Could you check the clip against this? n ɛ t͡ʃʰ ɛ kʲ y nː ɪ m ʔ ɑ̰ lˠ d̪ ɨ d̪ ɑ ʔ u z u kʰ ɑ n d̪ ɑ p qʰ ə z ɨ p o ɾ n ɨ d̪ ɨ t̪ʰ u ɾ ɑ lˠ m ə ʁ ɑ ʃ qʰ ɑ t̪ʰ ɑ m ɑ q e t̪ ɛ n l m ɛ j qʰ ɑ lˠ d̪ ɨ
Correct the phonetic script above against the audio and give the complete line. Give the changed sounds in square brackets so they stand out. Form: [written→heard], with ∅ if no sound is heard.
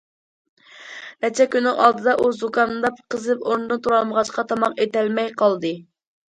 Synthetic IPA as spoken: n ɛ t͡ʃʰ ɛ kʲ y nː ɪ [m→ŋ] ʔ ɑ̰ lˠ d̪ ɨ d̪ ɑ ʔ u z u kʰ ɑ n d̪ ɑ p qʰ ə z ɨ p o ɾ n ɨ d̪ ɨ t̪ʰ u ɾ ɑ lˠ m ə ʁ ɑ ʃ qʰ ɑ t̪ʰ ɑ m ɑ q e t̪ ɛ [n→∅] l m ɛ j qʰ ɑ lˠ d̪ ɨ